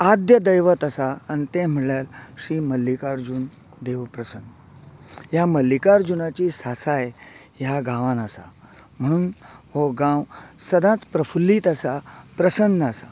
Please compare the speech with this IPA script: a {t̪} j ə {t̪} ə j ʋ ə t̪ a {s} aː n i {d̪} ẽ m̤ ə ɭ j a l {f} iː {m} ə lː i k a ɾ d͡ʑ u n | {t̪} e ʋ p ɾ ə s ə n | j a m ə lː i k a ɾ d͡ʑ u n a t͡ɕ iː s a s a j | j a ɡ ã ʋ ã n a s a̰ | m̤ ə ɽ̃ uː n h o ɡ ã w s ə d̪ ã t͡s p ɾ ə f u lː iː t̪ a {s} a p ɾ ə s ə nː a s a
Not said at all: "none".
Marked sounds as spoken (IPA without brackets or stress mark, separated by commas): d̪, d̪, s, t̪, ɕ, m, d̪, s